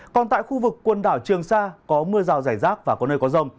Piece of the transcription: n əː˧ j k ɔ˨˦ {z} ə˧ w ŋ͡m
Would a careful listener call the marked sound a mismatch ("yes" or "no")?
no